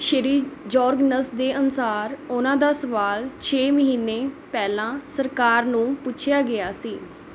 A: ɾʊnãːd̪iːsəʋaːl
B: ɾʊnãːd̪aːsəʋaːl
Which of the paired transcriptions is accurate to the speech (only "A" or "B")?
B